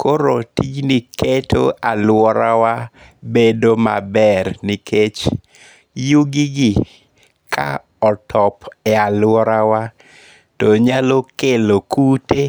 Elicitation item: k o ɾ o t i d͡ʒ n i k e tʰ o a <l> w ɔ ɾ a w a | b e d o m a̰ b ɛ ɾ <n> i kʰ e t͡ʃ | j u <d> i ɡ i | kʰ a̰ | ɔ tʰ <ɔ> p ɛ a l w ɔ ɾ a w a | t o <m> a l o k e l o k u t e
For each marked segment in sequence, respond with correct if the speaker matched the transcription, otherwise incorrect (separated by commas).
correct, correct, incorrect, correct, incorrect